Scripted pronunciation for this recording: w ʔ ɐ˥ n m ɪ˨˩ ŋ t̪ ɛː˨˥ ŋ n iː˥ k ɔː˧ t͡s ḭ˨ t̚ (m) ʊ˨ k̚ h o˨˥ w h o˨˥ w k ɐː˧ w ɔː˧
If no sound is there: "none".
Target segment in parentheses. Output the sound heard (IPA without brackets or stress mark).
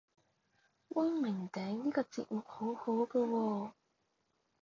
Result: m